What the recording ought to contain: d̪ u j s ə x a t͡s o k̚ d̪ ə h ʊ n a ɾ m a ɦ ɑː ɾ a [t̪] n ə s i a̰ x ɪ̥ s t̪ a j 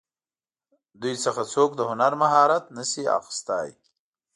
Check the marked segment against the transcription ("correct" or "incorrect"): correct